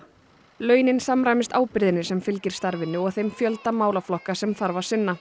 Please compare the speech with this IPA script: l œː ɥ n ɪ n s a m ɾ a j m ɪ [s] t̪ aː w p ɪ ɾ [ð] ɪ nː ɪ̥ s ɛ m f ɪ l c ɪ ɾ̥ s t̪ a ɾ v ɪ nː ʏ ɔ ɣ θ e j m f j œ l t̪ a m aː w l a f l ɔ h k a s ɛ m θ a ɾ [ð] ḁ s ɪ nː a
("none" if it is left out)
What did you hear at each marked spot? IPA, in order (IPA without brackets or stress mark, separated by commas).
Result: s, ð, v